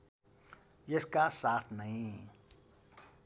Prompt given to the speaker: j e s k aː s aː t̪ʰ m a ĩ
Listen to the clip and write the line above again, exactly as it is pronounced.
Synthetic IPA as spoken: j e s k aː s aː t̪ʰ n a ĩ